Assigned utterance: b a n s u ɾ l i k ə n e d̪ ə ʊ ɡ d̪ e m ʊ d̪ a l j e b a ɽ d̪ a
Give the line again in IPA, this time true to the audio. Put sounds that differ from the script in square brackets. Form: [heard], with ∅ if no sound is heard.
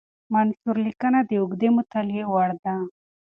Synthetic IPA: [m] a n s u ɾ l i k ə n [a] d̪ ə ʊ ɡ d̪ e m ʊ [t̪] a l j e [w] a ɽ d̪ a